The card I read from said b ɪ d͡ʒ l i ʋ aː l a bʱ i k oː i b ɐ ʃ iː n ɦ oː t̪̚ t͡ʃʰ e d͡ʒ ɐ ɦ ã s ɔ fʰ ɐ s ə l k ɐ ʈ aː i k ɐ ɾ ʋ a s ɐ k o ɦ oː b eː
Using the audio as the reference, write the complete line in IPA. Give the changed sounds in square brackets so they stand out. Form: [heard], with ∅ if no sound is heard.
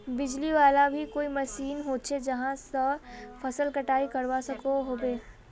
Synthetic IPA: b ɪ d͡ʒ l i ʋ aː l a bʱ i k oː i [m] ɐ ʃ iː n ɦ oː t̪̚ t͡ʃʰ e d͡ʒ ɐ ɦ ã s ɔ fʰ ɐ s ə l k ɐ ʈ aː i k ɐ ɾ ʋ a s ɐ k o ɦ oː b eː